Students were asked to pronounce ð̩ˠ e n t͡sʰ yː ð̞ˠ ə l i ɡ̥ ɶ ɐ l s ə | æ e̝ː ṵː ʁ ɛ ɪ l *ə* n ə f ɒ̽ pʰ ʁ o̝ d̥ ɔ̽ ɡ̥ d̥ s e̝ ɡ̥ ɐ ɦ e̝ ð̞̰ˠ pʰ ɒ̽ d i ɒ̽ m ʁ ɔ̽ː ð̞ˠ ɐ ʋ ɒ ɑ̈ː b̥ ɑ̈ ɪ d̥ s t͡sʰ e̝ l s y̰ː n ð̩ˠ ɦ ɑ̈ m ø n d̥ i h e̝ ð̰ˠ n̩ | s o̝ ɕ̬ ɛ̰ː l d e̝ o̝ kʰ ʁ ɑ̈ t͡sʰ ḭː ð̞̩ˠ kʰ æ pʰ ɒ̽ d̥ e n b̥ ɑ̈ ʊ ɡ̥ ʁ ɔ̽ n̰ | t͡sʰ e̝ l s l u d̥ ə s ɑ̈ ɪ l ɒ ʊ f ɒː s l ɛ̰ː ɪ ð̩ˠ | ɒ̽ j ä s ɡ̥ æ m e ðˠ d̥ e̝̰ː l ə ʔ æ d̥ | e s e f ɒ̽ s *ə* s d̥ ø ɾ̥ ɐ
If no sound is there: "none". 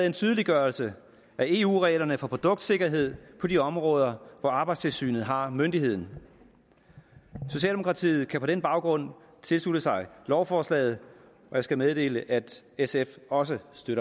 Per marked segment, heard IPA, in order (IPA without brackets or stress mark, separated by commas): ɐ, ə